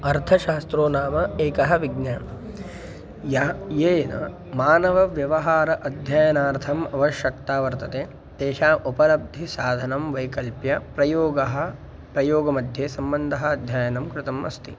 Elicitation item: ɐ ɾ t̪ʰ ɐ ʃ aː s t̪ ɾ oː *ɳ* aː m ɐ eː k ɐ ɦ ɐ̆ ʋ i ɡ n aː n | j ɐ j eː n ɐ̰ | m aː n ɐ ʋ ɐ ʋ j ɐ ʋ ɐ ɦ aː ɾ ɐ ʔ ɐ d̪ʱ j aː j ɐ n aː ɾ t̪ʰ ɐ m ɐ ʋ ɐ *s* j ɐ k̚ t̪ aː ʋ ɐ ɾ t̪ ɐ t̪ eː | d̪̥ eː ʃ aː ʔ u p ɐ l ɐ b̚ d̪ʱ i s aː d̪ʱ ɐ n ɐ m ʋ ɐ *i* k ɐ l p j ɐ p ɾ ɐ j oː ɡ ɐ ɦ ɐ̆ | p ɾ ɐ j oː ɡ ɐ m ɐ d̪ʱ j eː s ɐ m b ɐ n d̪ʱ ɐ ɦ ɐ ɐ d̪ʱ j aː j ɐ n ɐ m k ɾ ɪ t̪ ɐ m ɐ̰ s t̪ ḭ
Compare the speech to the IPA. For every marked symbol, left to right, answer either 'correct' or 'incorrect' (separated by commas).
incorrect, incorrect, incorrect